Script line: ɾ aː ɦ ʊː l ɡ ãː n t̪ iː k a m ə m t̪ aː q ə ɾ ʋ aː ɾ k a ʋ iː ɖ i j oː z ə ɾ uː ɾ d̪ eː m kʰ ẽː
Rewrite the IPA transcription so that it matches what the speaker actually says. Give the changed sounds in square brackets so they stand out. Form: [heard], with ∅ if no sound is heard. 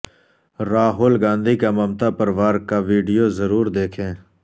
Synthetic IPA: ɾ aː ɦ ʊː l ɡ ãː n [d̪] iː k a m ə m t̪ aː [p] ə ɾ ʋ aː ɾ k a ʋ iː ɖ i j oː z ə ɾ uː ɾ d̪ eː [∅] kʰ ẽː